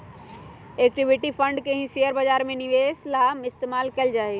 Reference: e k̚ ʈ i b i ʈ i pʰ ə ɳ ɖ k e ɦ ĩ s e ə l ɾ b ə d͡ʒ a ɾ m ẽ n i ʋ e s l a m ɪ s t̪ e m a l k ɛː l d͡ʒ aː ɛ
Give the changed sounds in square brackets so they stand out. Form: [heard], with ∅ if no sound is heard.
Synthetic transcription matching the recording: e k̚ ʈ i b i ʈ i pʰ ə ɳ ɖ k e ɦ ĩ s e ə [∅] ɾ b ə d͡ʒ a ɾ m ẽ n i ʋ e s l a m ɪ s t̪ e m a l k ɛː l d͡ʒ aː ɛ